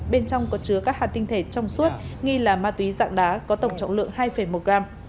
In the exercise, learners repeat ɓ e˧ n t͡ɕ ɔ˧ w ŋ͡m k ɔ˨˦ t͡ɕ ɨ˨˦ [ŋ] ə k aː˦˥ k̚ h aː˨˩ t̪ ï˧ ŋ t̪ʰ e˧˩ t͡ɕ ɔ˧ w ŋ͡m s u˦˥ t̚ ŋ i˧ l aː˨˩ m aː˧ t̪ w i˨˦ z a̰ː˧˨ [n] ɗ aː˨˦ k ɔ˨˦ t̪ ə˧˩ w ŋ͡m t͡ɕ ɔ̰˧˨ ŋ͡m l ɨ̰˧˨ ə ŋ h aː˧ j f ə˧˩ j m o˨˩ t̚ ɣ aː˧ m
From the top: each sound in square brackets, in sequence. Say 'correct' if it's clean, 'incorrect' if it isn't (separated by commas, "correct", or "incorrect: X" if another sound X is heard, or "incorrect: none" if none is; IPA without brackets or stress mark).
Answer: incorrect: none, incorrect: ŋ